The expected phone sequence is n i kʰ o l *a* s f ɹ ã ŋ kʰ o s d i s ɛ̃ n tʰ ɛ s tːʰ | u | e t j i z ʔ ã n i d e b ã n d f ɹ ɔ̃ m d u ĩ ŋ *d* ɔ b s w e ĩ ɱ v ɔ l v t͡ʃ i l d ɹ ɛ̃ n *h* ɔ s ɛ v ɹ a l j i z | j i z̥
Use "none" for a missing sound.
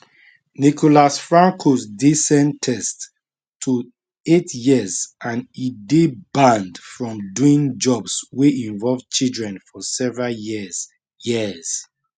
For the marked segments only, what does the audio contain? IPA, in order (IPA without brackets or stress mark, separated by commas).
a, d͡ʒ, f